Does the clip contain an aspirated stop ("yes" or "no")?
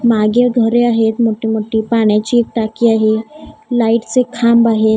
yes